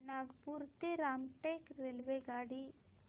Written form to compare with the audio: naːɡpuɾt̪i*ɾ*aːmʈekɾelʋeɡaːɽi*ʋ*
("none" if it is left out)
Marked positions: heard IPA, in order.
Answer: ɾ, none

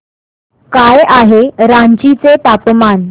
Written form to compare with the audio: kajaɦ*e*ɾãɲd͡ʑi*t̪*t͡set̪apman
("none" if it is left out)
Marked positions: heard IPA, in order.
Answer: e, none

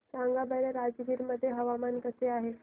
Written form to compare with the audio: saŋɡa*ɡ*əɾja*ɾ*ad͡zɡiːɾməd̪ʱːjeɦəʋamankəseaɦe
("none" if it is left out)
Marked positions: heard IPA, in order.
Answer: b, ɾ

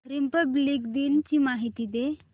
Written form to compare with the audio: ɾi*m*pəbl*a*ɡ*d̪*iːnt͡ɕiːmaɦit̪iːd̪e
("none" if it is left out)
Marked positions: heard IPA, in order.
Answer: m, i, d̪

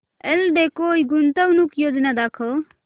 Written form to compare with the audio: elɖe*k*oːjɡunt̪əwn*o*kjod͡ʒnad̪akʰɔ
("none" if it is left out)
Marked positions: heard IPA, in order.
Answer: k, u

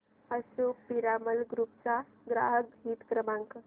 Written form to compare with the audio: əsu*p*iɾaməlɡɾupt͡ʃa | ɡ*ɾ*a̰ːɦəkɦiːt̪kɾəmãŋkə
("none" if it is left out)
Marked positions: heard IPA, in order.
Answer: p, ɾ

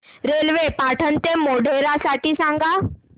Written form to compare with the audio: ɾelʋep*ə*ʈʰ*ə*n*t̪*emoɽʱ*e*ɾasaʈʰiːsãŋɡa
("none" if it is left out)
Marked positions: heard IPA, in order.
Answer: a, ə, t̪, e

